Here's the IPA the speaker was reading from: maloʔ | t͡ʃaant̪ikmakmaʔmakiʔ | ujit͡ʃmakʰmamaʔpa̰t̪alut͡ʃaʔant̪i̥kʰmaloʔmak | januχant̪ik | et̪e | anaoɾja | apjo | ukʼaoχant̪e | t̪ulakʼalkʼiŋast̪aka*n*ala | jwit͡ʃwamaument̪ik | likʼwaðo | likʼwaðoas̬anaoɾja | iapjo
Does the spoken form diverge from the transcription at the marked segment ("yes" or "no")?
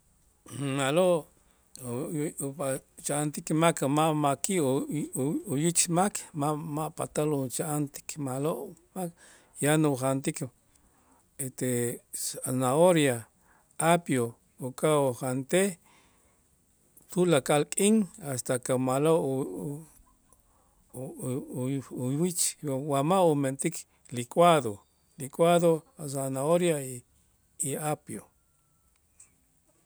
yes